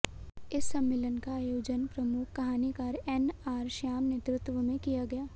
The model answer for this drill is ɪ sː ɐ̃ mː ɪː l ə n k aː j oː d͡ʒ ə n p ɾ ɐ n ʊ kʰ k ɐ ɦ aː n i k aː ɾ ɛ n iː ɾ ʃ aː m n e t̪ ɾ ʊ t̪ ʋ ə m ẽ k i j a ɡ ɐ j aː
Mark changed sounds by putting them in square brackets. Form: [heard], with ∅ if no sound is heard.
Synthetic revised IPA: ɪ sː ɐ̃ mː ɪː l ə n k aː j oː d͡ʒ ə n p ɾ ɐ [m] ʊ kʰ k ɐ ɦ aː n i k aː ɾ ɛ n [aː] ɾ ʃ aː m n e t̪ ɾ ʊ t̪ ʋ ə m ẽ k i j a ɡ ɐ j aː